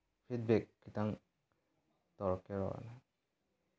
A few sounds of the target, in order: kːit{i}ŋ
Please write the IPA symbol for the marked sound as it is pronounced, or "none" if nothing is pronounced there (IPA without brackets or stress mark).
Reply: a